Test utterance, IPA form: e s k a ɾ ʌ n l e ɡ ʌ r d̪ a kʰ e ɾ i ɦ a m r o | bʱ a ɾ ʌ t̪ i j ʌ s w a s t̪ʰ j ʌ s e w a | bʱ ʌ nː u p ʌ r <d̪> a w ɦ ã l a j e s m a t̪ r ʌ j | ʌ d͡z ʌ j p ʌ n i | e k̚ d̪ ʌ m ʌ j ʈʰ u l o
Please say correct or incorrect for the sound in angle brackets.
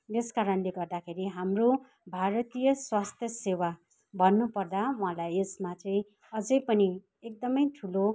correct